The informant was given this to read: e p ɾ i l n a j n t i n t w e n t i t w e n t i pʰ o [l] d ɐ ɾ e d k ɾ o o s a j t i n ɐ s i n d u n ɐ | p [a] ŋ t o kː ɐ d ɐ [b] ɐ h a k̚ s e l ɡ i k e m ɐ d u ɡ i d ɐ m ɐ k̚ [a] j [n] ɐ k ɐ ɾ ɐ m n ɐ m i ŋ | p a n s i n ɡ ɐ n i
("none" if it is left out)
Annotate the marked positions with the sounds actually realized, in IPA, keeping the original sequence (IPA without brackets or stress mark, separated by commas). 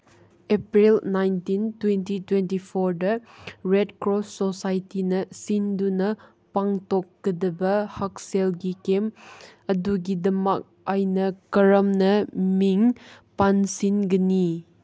ɾ, a, b, a, n